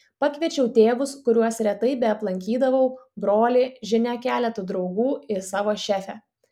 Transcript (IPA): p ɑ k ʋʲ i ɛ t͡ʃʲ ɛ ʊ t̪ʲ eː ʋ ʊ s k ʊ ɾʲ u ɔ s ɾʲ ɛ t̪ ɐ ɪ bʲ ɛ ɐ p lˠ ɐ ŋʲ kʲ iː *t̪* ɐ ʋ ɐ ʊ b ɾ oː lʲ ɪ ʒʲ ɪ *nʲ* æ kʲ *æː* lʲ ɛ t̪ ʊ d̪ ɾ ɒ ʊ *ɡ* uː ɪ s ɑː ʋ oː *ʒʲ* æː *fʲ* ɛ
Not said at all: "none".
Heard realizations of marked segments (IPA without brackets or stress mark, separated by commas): d̪, nʲ, æː, ɡ, ʃʲ, fʲ